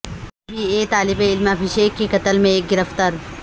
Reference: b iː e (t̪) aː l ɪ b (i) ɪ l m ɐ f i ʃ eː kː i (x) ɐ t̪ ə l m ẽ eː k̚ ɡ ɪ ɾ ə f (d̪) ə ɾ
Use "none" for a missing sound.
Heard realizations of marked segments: t̪, e, k, t̪

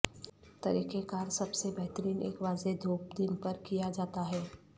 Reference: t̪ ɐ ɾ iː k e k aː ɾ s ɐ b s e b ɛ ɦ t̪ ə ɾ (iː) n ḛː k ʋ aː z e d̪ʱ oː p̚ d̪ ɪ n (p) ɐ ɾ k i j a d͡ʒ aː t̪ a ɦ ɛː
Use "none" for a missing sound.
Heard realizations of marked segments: iː, p

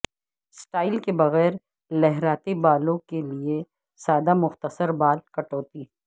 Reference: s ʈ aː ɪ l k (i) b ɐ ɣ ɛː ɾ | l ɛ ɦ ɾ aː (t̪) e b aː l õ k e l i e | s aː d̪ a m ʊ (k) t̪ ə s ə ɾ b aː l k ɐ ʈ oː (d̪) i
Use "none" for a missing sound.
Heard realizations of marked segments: e, t̪, x, t̪

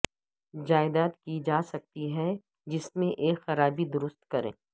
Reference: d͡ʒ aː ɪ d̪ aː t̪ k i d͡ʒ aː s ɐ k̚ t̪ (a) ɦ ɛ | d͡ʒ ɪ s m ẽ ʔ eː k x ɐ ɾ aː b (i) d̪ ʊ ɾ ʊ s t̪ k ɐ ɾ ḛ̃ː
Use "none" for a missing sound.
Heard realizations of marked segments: i, i

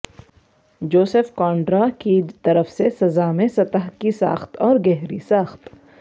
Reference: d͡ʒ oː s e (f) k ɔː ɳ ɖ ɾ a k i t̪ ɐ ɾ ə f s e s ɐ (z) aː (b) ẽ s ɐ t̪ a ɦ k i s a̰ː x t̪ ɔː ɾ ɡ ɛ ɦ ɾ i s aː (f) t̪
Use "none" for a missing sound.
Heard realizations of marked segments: f, z, m, x

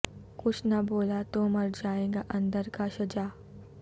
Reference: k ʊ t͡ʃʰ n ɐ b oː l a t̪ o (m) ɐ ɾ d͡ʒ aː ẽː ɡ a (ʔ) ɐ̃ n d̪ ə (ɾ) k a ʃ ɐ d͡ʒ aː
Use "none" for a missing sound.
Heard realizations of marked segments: m, ʔ, ɾ

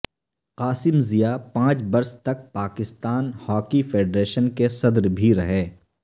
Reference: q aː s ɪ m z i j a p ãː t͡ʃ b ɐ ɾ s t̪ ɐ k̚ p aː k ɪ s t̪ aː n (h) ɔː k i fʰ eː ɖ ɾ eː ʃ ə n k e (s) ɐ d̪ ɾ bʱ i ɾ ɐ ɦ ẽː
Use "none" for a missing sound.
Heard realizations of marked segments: h, s

